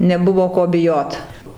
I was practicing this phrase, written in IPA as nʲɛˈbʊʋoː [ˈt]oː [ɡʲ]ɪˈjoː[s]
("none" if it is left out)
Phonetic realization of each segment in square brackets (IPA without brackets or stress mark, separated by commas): k, bʲ, t